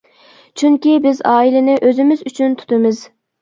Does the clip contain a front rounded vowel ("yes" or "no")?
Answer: yes